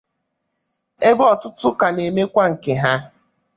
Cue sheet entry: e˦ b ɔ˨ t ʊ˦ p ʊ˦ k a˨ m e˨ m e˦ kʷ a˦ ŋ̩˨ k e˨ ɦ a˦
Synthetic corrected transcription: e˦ b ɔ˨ t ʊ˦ t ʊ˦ k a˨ n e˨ m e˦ kʷ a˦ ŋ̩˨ k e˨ ɦ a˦